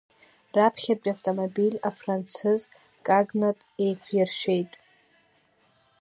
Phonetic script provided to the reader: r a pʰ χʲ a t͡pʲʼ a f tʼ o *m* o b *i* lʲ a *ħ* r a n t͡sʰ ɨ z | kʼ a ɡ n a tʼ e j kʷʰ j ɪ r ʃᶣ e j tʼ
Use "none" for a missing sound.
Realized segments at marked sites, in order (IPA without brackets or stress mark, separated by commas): m, i, f